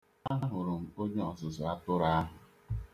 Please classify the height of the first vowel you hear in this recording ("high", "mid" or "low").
low